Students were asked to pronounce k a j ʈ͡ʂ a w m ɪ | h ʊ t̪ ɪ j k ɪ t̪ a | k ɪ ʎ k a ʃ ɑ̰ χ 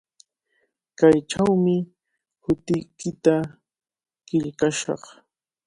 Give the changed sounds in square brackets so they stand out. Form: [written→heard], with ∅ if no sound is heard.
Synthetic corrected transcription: k a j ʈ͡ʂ a w m ɪ | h ʊ t̪ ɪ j k ɪ t̪ a | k ɪ ʎ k a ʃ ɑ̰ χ